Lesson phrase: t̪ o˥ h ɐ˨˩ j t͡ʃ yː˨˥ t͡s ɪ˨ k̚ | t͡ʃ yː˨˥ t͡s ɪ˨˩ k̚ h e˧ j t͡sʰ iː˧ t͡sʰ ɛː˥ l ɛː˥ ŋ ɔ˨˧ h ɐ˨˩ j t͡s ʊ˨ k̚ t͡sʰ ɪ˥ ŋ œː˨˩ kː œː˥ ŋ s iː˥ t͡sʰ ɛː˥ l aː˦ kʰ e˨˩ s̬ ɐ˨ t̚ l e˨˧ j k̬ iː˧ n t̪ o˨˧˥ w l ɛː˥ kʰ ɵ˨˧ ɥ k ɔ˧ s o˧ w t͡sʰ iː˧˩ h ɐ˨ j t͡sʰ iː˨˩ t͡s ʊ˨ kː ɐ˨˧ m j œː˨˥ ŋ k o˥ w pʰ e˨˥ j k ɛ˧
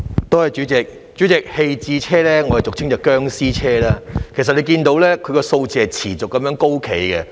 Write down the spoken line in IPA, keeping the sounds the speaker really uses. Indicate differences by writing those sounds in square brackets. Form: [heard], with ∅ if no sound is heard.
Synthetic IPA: t̪ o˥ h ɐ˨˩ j t͡ʃ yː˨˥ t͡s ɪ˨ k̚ | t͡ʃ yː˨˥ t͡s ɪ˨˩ k̚ h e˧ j [t͡s] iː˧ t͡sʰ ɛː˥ l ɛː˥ ŋ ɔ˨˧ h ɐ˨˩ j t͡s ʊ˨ k̚ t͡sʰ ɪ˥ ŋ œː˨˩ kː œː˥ ŋ s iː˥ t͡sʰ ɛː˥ l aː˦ kʰ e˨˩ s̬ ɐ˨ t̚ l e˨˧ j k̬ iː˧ n t̪ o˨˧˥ w l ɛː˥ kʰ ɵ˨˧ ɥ k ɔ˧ s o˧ w [t͡s] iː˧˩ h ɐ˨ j t͡sʰ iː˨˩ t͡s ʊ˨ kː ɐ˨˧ m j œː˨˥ ŋ k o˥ w [kʰ] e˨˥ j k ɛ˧